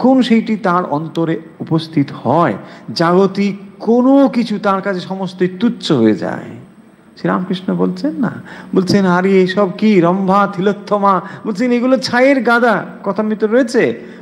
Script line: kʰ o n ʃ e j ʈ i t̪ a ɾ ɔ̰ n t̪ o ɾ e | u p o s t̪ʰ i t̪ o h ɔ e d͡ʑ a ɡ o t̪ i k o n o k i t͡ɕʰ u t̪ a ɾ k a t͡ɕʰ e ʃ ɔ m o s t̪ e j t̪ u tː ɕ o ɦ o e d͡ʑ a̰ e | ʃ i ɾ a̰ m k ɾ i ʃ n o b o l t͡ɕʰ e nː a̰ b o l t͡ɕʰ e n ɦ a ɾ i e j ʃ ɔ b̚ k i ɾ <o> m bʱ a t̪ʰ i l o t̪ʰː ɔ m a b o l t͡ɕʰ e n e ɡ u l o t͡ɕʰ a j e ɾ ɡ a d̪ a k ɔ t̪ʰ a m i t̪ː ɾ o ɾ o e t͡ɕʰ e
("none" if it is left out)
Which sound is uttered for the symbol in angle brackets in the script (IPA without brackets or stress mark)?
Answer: ɔ